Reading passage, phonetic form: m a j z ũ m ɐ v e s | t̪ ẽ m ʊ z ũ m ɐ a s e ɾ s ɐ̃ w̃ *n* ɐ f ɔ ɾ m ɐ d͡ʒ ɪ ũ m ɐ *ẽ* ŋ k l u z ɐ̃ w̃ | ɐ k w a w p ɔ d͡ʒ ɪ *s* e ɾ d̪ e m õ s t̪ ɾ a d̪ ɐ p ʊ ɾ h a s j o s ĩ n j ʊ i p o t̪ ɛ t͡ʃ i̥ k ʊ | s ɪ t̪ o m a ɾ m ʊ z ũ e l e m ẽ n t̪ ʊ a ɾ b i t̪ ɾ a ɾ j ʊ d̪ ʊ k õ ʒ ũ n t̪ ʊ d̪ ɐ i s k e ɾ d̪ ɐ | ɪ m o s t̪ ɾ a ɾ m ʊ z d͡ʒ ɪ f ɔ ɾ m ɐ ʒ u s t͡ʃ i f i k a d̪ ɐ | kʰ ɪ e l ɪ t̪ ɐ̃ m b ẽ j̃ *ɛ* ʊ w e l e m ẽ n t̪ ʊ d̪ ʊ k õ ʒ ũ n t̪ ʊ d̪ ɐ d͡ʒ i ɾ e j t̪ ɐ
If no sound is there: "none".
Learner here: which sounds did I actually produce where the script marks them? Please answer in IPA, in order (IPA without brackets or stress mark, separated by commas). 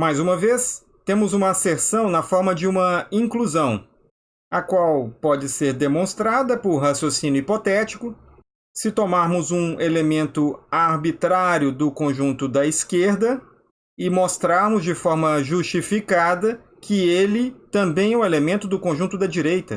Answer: n, ĩ, s, ɛ